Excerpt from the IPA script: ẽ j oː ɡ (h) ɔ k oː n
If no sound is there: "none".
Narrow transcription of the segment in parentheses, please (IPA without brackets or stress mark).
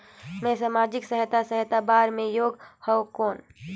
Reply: h